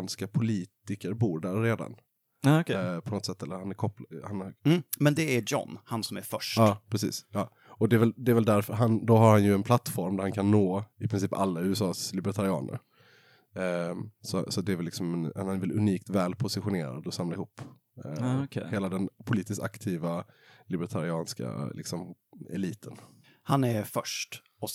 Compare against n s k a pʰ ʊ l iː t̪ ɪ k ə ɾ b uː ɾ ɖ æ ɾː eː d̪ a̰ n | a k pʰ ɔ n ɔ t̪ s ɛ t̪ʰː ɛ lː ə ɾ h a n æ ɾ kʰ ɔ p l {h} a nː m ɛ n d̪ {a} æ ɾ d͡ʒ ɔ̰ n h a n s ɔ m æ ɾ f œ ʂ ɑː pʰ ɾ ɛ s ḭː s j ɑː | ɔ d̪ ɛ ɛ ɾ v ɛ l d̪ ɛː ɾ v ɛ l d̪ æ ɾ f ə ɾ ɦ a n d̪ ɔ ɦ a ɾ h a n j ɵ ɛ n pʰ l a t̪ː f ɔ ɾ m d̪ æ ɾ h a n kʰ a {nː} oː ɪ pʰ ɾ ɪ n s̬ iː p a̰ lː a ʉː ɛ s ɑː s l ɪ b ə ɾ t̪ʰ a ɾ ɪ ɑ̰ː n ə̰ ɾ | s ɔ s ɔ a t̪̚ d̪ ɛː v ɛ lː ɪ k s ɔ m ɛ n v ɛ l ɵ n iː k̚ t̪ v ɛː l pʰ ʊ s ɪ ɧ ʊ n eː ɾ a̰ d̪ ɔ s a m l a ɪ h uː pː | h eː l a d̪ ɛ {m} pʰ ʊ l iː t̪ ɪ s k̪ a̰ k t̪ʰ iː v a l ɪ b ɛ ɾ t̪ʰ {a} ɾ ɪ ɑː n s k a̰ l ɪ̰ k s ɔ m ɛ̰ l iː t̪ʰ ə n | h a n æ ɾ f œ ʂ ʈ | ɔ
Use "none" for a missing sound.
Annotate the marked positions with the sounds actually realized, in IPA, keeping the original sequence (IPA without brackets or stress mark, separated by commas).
h, ɛ, nː, n, a